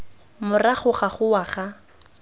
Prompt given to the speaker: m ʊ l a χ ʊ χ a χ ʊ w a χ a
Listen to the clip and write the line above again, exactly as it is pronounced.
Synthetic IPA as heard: m ʊ r a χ ʊ χ a χ ʊ w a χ a